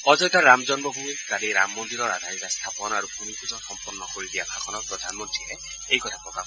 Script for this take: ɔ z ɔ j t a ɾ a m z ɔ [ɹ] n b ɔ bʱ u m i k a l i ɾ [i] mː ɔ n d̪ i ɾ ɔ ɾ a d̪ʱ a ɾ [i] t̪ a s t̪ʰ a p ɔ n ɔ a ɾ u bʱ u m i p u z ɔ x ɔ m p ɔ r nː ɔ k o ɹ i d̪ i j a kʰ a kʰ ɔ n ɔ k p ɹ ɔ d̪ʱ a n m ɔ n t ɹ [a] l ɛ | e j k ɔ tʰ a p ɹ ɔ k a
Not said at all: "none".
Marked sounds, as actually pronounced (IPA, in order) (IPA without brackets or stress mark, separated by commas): none, a, i, i